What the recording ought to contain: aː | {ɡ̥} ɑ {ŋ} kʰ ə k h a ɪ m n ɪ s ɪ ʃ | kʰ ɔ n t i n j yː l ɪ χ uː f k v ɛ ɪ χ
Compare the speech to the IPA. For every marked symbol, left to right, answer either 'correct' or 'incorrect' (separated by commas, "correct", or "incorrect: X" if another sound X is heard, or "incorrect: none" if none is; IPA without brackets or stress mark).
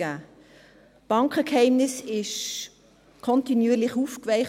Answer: incorrect: b̥, correct